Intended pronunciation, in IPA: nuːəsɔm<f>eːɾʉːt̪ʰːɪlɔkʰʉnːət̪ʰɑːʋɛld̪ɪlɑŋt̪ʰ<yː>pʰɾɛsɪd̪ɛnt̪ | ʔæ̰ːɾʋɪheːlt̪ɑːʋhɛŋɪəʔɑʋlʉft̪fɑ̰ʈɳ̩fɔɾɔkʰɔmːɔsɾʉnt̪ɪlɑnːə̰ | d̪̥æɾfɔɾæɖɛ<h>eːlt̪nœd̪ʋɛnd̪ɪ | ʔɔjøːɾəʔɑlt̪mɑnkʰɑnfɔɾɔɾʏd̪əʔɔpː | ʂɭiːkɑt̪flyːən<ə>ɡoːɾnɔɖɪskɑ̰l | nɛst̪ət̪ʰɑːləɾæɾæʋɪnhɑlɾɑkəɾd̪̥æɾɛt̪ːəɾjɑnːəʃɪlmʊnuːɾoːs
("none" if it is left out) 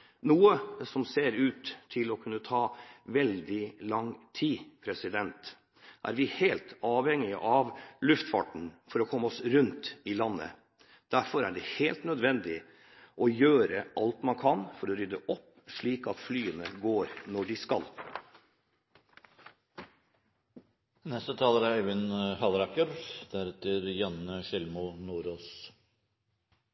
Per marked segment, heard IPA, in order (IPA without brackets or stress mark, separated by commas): s, iː, h, ə